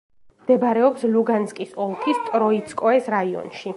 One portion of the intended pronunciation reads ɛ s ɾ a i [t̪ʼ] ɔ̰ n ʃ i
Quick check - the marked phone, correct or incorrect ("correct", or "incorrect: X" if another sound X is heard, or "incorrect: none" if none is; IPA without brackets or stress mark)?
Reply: incorrect: none